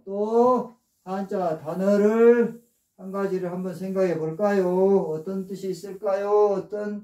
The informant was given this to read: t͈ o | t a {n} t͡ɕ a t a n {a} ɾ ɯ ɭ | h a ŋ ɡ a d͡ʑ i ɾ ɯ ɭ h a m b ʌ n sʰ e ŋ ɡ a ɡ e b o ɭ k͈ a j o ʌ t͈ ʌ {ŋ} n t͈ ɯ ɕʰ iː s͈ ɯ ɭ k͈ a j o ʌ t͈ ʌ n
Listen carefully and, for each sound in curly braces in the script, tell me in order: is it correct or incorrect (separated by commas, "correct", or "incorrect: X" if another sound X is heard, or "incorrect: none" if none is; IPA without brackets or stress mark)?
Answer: correct, incorrect: ʌ, incorrect: none